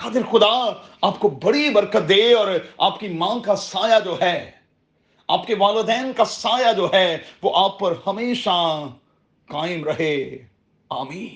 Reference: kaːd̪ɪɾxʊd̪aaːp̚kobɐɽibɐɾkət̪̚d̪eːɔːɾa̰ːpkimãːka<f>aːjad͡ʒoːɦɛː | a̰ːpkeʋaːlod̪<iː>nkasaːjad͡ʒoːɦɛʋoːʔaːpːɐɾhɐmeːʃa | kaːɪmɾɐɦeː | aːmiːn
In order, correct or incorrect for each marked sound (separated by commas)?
incorrect, incorrect